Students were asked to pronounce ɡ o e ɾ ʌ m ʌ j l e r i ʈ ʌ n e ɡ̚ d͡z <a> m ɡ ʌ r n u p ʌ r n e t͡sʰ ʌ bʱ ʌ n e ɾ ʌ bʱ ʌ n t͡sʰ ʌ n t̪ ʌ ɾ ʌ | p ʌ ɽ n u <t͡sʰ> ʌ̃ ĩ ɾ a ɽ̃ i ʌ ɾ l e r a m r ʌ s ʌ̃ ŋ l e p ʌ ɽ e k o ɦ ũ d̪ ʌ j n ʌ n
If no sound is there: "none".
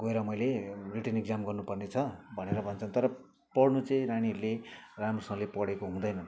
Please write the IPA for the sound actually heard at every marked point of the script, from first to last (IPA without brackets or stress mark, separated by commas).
a, t͡s